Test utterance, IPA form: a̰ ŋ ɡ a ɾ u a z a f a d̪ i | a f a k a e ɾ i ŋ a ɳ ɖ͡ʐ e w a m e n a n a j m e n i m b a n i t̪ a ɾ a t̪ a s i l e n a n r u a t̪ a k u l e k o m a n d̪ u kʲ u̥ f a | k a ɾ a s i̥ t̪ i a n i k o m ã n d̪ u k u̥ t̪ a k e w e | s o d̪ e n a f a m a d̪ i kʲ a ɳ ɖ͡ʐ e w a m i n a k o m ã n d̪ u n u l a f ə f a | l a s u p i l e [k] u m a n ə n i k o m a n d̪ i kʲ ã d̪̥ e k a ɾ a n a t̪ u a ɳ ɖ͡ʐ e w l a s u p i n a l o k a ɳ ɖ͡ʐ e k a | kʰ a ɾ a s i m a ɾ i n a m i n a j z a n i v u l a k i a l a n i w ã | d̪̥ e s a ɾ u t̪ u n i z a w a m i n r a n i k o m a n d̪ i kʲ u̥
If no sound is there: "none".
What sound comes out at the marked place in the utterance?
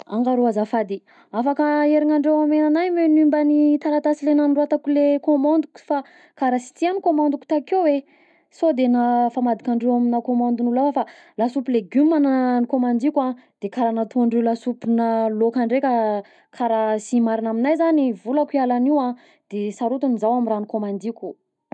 ɡ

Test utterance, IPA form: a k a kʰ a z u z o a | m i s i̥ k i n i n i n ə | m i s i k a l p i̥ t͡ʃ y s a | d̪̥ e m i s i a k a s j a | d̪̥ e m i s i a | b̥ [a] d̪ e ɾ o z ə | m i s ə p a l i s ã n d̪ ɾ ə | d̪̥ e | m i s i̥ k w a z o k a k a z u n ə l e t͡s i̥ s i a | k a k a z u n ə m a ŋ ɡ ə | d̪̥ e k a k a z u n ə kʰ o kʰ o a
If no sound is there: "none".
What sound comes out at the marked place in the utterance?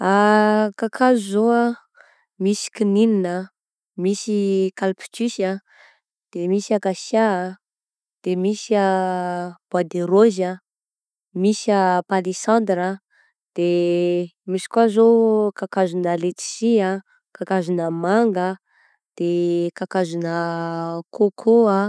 a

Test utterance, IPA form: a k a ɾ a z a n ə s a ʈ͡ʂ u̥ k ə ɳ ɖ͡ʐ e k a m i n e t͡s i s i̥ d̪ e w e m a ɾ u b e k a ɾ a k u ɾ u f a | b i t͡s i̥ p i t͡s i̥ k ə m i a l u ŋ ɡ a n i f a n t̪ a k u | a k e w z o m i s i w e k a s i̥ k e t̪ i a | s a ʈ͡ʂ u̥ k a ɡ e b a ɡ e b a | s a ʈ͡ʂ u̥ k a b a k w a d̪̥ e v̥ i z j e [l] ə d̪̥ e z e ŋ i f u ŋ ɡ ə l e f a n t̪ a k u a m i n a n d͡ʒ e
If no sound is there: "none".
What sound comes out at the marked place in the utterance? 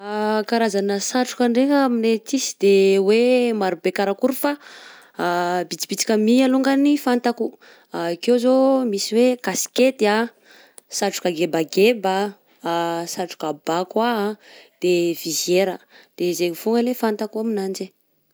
ɾ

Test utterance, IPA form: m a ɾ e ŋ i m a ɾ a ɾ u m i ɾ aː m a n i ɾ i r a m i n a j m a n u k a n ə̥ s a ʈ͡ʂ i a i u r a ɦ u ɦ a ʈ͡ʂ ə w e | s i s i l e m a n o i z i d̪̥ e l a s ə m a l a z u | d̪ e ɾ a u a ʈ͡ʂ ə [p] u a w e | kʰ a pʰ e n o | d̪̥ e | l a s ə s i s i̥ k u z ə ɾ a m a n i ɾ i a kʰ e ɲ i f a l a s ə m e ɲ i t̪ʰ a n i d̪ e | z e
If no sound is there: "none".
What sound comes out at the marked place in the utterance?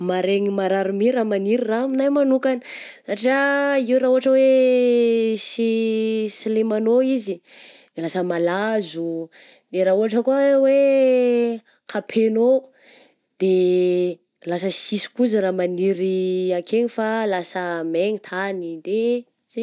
k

